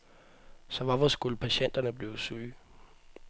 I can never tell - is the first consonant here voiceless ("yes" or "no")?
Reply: yes